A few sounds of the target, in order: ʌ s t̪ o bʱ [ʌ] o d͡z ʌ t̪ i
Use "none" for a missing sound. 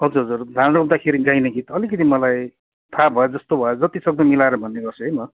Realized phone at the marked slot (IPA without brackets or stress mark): ʌ